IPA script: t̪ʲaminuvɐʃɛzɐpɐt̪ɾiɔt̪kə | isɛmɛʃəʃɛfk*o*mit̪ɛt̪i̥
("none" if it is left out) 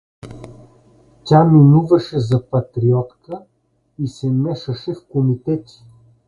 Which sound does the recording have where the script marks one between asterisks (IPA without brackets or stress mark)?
o